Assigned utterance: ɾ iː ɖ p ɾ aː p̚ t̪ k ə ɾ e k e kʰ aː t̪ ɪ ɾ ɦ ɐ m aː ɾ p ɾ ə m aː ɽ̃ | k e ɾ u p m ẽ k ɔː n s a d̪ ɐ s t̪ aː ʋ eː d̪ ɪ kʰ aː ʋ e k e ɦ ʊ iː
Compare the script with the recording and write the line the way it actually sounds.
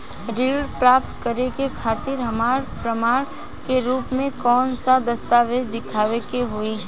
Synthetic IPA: ɾ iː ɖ p ɾ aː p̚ t̪ k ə ɾ e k e kʰ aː t̪ ɪ ɾ ɦ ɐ m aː ɾ p ɾ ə m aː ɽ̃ | k e ɾ uː p m ẽ k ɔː n s a d̪ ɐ s t̪ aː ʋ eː d̪ ɪ kʰ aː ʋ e k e ɦ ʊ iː